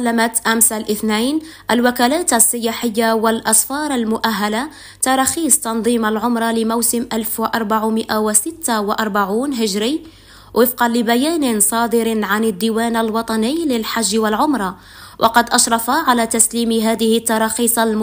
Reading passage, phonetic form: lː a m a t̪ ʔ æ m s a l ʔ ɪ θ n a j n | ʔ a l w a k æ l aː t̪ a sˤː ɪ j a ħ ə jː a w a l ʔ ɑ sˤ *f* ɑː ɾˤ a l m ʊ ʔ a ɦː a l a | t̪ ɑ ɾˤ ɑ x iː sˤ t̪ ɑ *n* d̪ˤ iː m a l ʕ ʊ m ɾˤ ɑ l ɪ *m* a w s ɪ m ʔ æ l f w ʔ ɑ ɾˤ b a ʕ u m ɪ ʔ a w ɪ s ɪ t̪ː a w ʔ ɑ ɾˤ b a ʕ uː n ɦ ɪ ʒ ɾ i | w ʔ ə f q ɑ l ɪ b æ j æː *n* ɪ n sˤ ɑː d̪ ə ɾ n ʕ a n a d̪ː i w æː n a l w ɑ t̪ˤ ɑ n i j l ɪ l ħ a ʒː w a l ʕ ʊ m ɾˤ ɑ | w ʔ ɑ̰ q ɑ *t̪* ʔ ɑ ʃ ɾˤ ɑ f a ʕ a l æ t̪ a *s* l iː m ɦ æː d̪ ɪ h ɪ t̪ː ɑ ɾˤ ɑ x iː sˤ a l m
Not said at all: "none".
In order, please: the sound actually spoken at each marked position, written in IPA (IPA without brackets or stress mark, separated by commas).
f, n, m, n, d̪, s